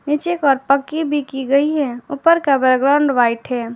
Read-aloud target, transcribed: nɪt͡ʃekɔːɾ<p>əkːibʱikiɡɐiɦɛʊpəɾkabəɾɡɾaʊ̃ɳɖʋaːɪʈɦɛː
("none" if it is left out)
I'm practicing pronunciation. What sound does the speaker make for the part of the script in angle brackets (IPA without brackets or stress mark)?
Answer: p